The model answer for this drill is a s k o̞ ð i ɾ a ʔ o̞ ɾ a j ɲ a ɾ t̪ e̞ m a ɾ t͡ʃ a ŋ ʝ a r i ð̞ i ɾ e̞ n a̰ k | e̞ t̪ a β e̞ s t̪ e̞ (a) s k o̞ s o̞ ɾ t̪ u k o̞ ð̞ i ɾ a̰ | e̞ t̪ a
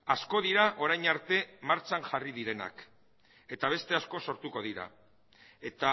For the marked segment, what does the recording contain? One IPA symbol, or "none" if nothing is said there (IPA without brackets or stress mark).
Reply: a